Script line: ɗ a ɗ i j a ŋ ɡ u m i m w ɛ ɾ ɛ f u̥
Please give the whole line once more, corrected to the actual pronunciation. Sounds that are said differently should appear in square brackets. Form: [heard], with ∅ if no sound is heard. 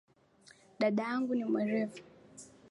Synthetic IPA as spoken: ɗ a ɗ [a] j a ŋ ɡ u [n] i m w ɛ ɾ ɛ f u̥